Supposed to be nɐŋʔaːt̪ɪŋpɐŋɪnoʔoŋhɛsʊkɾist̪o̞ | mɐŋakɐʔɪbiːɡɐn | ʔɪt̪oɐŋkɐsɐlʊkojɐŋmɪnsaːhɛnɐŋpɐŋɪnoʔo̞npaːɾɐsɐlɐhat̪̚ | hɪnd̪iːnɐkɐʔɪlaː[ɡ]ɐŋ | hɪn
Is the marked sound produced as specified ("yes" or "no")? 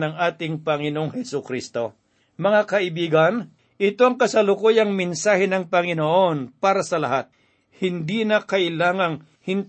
no